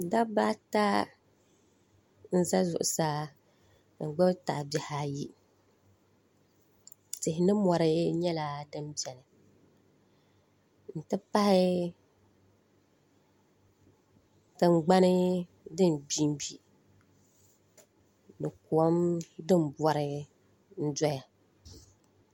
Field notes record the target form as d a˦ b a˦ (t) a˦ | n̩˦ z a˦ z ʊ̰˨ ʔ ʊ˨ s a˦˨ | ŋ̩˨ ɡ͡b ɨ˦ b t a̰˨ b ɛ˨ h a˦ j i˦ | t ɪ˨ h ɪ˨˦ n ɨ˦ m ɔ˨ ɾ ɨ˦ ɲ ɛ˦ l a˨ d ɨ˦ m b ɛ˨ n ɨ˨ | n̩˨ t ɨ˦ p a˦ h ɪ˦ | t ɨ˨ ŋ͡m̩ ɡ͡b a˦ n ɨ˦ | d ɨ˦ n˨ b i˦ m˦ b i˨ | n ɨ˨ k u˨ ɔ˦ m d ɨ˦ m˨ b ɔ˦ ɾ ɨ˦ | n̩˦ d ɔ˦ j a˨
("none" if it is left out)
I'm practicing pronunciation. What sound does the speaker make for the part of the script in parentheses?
t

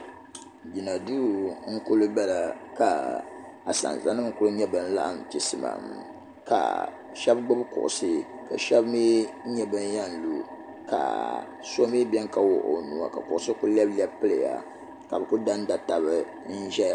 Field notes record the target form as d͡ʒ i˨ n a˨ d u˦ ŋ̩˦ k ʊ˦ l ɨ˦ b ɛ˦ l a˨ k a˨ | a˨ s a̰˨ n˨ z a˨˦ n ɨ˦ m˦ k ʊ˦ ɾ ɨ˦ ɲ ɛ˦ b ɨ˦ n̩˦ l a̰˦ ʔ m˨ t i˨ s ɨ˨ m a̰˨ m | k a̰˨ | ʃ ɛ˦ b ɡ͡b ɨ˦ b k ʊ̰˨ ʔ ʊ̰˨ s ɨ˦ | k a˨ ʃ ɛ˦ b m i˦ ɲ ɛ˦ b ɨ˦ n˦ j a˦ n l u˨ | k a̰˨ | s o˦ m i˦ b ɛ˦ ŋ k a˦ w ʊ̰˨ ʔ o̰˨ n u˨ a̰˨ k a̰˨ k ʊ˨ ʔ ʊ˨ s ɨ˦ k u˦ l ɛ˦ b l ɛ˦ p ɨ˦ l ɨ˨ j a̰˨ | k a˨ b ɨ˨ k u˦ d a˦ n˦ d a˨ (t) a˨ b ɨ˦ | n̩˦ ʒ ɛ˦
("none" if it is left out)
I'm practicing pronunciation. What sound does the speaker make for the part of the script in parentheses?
t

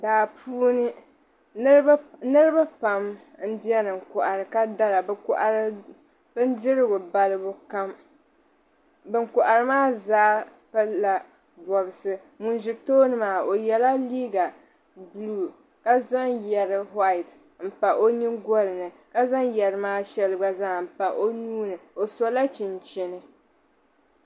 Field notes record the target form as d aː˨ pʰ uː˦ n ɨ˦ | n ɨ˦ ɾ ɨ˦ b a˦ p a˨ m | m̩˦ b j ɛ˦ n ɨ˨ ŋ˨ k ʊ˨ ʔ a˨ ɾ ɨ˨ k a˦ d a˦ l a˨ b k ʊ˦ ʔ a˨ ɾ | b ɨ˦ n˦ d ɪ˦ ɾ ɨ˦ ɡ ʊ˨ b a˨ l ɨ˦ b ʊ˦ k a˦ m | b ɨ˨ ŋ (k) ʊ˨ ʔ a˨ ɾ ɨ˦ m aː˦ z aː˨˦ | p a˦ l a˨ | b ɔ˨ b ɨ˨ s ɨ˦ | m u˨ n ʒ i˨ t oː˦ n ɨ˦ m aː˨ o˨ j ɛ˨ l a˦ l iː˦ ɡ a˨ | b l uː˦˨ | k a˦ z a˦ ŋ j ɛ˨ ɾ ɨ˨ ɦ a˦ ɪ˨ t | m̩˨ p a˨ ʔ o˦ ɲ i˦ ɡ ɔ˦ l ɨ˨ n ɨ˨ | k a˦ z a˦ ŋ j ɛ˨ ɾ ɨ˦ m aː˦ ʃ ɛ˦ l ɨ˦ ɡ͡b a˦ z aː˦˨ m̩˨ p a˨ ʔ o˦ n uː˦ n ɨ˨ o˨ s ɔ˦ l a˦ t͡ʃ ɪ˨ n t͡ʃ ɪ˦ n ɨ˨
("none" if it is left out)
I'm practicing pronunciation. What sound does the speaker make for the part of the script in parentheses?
k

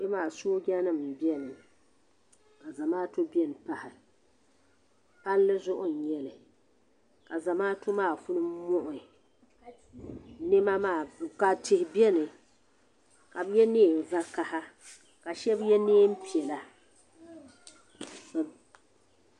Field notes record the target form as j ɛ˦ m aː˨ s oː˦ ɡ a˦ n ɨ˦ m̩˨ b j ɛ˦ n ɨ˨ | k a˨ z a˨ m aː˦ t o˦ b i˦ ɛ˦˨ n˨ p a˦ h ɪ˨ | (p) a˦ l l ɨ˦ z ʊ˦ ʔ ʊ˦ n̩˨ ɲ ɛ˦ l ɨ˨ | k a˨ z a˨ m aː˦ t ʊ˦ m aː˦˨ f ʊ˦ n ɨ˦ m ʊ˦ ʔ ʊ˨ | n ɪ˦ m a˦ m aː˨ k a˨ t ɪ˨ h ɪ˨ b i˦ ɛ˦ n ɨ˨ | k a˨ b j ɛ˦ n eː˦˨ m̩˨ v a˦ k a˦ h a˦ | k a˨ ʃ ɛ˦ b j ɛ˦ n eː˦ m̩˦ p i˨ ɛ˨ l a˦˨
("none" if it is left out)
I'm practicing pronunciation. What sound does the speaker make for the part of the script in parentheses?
p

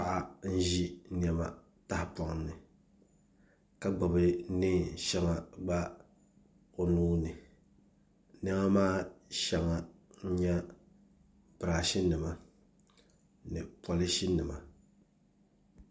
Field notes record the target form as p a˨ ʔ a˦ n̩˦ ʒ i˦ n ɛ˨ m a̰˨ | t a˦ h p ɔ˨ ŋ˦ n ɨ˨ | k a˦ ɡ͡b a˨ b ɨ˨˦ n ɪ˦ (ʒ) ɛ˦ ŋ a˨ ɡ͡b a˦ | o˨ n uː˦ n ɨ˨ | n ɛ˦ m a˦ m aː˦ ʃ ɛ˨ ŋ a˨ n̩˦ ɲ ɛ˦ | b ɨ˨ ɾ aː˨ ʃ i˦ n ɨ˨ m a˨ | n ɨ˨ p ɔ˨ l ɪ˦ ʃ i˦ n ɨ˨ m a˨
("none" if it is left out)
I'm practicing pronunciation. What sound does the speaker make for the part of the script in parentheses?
ʃ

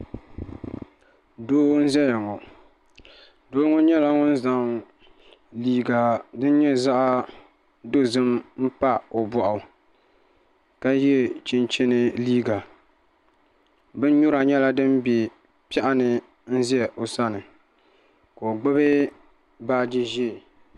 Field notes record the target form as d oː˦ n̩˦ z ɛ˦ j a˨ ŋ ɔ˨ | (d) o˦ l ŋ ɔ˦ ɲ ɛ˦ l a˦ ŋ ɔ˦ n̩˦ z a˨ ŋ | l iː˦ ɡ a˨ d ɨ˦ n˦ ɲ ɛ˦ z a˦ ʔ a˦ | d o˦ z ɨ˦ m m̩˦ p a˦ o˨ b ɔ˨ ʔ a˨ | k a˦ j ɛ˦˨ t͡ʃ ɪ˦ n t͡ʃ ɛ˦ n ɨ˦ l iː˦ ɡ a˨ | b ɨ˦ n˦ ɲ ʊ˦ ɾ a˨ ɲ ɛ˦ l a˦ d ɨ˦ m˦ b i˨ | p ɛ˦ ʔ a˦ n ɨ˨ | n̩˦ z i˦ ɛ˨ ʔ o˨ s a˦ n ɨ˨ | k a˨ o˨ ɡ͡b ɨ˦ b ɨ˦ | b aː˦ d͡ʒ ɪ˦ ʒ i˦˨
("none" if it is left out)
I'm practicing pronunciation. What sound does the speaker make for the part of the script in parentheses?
d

